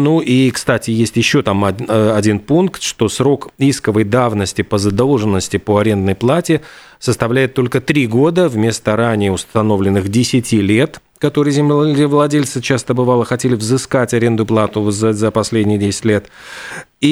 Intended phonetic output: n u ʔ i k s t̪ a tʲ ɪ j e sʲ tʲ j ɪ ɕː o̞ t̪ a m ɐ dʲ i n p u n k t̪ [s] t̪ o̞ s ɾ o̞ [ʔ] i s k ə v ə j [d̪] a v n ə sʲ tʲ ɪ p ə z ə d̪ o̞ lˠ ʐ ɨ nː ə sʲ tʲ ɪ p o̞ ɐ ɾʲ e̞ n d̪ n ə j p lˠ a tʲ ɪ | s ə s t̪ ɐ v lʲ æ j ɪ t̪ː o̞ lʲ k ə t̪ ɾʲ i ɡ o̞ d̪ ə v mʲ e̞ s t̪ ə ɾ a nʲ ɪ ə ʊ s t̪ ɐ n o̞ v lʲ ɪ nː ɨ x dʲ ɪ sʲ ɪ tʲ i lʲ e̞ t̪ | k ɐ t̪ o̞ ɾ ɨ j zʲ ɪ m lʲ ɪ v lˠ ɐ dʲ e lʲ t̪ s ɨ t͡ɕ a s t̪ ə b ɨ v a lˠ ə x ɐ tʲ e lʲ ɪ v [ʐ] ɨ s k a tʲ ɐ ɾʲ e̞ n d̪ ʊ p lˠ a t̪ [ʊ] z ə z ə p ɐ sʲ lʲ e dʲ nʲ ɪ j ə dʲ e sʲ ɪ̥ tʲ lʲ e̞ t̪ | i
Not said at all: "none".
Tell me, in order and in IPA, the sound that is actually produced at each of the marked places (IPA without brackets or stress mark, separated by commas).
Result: ʂ, k, d̪, z, ʊ